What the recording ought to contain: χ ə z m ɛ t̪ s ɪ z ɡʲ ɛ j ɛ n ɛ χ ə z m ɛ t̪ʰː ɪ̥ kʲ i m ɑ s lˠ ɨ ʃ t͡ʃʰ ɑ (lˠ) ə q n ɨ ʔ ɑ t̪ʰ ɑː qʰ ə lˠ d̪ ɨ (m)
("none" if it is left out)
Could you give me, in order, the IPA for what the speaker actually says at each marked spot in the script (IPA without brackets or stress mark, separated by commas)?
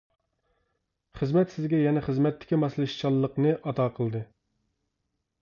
lˠː, none